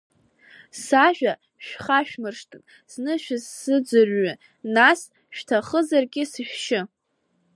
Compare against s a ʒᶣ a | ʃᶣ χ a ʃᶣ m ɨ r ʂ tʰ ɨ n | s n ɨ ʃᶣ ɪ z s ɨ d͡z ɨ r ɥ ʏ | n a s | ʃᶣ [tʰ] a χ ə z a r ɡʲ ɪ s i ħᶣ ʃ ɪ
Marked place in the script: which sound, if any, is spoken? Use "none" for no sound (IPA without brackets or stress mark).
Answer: tʰ